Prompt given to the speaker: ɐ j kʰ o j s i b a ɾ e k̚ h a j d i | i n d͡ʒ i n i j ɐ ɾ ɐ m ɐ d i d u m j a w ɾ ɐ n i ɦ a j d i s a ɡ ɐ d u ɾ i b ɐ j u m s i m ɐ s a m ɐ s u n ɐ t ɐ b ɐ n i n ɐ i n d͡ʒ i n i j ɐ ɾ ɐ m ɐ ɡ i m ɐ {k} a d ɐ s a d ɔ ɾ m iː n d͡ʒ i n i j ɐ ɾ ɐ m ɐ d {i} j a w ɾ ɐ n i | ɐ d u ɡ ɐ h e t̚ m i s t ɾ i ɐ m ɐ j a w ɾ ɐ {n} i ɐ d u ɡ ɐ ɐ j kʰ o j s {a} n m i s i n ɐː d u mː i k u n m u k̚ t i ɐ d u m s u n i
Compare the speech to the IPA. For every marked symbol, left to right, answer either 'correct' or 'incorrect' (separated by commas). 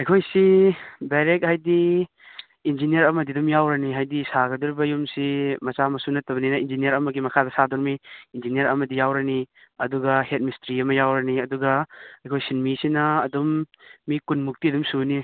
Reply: incorrect, correct, correct, incorrect